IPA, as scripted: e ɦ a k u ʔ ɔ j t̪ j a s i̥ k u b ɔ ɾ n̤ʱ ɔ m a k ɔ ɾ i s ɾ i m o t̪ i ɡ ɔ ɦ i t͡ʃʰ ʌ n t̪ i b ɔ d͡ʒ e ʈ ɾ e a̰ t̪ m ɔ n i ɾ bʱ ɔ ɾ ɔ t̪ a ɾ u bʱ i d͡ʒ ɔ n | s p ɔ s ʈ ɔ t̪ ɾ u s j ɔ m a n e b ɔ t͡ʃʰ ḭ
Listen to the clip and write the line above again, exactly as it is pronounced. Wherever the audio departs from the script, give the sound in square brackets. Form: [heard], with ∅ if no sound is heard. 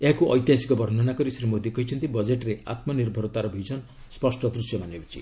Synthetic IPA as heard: e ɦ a k u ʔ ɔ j t̪ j a s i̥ k [ɔ] b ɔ ɾ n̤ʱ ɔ [n] a k ɔ ɾ i s ɾ i m o [d̪] i [k] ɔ ɦ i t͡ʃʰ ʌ n t̪ i b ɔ d͡ʒ e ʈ ɾ e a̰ t̪ m ɔ n i ɾ bʱ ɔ ɾ ɔ t̪ a ɾ [ɔ] bʱ i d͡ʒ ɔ n | s p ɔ s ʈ ɔ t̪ ɾ u s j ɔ m a n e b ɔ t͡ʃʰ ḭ